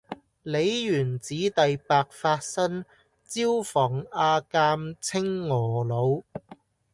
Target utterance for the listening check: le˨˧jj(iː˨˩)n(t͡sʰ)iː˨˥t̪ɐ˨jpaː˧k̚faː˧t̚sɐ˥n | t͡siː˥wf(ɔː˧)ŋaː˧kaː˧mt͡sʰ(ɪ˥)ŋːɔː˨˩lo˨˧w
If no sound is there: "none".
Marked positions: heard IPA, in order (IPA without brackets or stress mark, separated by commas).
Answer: yː˨˩, t͡s, ɔː˨˩, ɪ˥